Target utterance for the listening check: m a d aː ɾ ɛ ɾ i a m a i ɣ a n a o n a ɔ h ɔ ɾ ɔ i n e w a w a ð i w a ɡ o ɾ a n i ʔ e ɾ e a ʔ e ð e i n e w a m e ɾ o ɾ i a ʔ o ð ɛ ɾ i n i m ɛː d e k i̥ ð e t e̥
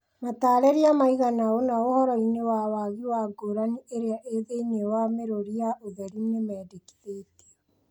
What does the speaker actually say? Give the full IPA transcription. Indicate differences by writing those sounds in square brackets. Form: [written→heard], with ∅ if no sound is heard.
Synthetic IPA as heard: m a [d→t] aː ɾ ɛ ɾ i a m a i ɣ a n a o n a [ɔ→o] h ɔ ɾ ɔ i n e w a w a [ð→ɣ] i w a ɡ o ɾ a n i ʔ e ɾ e a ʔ e ð e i n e w a m e ɾ o ɾ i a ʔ o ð ɛ ɾ i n [i→e] m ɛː d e k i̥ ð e t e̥

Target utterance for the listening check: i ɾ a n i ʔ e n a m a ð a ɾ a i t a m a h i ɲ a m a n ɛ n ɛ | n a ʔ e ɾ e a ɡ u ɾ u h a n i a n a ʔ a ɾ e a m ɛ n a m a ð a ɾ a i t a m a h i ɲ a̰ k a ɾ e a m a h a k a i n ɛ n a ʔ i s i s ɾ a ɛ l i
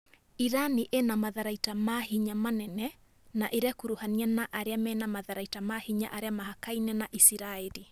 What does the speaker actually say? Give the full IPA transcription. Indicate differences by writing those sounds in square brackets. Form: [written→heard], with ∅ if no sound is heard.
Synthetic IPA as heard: i ɾ a n i ʔ e n a m a ð a ɾ a i t a m a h i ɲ a m a n ɛ n ɛ | n a ʔ e ɾ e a [ɡ→k] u ɾ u h a n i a n a ʔ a ɾ e a m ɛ n a m a ð a ɾ a i t a m a h i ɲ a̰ [k→ʔ] a ɾ e a m a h a k a i n ɛ n a ʔ i s i [s→∅] ɾ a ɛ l i

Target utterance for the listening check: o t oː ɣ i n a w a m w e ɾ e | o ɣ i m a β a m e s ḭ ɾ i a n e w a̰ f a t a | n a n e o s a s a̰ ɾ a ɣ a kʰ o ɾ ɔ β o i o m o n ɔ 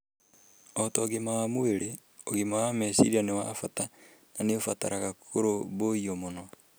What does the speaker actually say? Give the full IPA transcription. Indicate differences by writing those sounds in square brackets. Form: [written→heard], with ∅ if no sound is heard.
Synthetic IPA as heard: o t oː ɣ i [n→m] a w a m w e ɾ e | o ɣ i m a [β→w] a m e s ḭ ɾ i a n e w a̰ f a t a | n a n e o [s→f] a [s→t] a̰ ɾ a ɣ a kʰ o ɾ [ɔ→o] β o i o m o n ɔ

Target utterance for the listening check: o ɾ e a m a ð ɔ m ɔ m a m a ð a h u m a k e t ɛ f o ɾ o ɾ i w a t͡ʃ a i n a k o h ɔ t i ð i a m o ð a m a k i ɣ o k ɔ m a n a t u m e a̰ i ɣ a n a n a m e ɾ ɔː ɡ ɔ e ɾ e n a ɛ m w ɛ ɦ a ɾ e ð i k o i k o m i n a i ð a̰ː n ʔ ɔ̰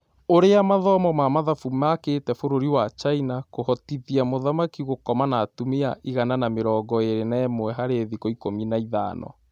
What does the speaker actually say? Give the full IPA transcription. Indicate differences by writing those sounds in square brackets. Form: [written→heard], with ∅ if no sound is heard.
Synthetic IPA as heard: o ɾ e a m a ð ɔ m ɔ m a m a ð a [h→f] u m a k e t ɛ f o ɾ o ɾ i w a t͡ʃ a i n a k o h ɔ t i ð i a m o ð a m a k i ɣ o k ɔ m a n a t u m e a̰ i ɣ a n a n a m e ɾ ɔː ɡ ɔ e ɾ e n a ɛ m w ɛ ɦ a ɾ e ð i k o i k o m i n a i ð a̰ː n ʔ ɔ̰

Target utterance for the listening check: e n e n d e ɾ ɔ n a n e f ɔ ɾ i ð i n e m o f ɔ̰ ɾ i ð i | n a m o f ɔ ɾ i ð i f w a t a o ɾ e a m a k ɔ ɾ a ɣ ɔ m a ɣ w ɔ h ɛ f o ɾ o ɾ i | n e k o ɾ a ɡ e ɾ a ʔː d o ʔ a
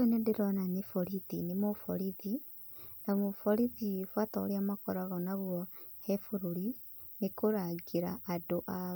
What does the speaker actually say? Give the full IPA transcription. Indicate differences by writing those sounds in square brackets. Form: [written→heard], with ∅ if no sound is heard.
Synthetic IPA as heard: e n e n d e ɾ ɔ n a n e f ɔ ɾ i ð i n e m o f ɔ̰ ɾ i ð i | n a m o f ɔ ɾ i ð i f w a t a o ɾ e a m a k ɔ ɾ a ɣ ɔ [m→n] a ɣ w ɔ h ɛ f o ɾ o ɾ i | n e k o ɾ a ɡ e ɾ a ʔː d o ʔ a

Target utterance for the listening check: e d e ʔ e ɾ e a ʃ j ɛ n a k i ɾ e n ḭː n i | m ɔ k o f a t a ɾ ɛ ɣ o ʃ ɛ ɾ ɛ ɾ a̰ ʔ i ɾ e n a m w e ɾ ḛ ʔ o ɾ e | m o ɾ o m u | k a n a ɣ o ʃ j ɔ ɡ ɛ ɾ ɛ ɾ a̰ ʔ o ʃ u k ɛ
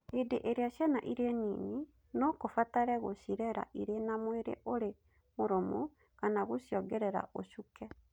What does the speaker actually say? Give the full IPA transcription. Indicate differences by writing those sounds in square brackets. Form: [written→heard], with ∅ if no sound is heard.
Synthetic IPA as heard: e d e ʔ e ɾ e a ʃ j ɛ n a [k→ʔ] i ɾ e n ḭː n i | [m→n] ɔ k o f a t a ɾ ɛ ɣ o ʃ [ɛ→i] ɾ ɛ ɾ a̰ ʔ i ɾ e n a m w e ɾ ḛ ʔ o ɾ e | m o ɾ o m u | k a n a ɣ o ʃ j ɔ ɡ ɛ ɾ ɛ ɾ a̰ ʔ o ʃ u k ɛ

